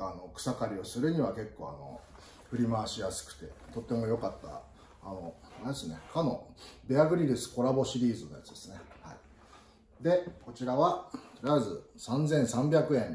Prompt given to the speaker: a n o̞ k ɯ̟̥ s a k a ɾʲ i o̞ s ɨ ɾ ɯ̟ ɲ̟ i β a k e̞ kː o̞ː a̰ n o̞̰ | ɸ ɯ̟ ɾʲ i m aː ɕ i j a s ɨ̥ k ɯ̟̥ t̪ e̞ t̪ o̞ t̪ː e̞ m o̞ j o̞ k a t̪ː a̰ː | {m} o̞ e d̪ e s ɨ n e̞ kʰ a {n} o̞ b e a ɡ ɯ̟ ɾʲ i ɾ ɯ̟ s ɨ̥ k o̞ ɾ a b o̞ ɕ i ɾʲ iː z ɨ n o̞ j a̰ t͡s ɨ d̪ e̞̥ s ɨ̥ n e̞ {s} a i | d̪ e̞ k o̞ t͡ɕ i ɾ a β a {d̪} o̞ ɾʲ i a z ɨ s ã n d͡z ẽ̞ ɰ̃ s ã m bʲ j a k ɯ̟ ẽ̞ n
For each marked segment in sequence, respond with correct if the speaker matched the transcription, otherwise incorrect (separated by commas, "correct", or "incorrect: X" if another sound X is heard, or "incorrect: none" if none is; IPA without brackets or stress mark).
incorrect: n, correct, incorrect: h, incorrect: t̪